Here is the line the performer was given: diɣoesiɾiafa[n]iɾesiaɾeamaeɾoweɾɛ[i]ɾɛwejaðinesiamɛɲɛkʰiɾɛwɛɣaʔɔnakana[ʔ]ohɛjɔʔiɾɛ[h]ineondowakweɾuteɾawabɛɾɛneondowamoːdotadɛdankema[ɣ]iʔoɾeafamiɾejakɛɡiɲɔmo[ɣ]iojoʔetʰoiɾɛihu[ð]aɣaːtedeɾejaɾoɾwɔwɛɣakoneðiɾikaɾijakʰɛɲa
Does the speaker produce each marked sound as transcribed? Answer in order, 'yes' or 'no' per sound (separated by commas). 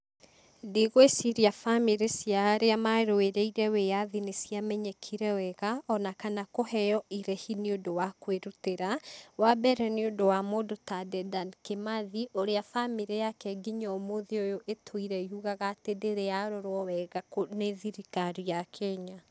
no, yes, no, yes, no, no, no